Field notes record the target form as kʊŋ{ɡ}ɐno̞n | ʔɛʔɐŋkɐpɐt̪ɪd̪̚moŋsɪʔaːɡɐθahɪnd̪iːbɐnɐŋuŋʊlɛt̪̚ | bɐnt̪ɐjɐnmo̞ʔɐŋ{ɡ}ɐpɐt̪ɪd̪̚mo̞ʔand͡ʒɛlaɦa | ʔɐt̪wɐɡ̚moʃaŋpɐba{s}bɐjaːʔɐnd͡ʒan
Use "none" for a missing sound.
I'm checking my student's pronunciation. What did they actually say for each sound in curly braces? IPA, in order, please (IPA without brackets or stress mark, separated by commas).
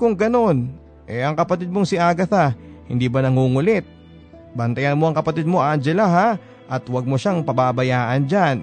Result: ɡ, k, none